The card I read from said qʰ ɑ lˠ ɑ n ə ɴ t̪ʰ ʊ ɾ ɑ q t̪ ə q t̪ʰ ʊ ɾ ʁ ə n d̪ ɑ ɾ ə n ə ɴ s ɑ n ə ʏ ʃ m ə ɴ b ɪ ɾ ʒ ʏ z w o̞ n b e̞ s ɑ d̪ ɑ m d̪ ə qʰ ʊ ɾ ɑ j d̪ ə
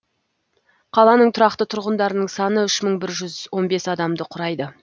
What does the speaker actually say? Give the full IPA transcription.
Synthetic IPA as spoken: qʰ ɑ lˠ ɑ n ə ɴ t̪ʰ ʊ ɾ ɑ q t̪ ə t̪ʰ ʊ ɾ ʁ ə n d̪ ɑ ɾ ə n ə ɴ s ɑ n ə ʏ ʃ m ə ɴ b ɪ ɾ ʒ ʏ z w o̞ n b e̞ s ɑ d̪ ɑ m d̪ ə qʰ ʊ ɾ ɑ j d̪ ə